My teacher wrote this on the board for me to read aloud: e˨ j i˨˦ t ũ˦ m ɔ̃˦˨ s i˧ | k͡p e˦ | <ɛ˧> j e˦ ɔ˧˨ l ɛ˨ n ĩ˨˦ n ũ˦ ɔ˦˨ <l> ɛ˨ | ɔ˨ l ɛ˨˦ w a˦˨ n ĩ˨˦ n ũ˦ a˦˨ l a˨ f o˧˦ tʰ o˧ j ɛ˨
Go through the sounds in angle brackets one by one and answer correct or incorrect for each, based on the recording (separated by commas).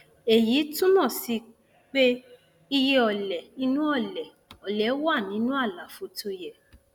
incorrect, correct